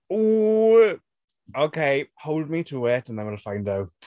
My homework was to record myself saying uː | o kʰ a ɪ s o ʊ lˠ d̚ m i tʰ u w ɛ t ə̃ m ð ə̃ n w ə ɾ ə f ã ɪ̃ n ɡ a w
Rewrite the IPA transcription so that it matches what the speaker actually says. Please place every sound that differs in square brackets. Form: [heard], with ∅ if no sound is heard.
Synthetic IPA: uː | o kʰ [e] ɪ [h] o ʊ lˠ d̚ m i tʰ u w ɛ t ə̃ [n] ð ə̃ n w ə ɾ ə f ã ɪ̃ n [d] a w